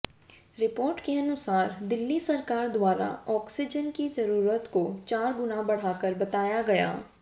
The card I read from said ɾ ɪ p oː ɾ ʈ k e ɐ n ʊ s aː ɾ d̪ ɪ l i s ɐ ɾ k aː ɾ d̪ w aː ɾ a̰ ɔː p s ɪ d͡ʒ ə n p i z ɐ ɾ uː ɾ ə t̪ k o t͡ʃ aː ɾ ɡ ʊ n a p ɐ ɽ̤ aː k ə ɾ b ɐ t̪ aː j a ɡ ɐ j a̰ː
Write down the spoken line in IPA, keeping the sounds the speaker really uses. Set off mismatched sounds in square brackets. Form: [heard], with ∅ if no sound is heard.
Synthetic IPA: ɾ ɪ p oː ɾ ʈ k e ɐ n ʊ s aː ɾ d̪ ɪ [lː] i s ɐ ɾ k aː ɾ d̪ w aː ɾ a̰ ɔː [k] s ɪ d͡ʒ ə n [k] i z ɐ ɾ uː ɾ ə t̪ k o t͡ʃ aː ɾ ɡ ʊ n a [b] ɐ ɽ̤ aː k ə ɾ b ɐ t̪ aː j a ɡ ɐ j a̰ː